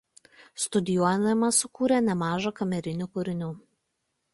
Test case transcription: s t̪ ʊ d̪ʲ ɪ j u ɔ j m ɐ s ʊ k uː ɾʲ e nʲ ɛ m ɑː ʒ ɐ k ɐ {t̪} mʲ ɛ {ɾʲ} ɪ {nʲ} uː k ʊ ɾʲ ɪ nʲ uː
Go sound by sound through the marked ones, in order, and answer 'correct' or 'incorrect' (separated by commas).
incorrect, correct, correct